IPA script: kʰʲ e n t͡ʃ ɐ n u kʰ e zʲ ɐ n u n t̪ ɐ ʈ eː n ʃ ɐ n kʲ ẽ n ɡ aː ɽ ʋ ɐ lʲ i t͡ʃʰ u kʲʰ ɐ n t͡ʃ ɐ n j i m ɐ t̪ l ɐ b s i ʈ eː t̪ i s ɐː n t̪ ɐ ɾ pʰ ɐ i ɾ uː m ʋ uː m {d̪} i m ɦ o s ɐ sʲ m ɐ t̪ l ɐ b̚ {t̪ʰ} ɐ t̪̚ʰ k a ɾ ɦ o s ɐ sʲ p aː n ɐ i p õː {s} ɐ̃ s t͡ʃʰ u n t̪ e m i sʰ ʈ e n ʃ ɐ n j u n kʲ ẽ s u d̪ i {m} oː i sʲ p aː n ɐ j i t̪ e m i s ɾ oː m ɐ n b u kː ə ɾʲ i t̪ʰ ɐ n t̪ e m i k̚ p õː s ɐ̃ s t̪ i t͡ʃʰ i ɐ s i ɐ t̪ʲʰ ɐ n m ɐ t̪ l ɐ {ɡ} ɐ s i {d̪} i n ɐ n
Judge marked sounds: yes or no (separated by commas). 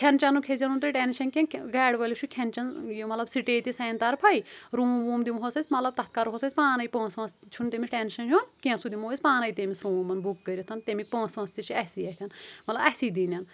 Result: yes, no, yes, yes, no, yes